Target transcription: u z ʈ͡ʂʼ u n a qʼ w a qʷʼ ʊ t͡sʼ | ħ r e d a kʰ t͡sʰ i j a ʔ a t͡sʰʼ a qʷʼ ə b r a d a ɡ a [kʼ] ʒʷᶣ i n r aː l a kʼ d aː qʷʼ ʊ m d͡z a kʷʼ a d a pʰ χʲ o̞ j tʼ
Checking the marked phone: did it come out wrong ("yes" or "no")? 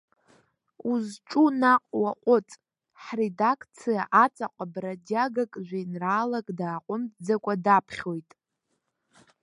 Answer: no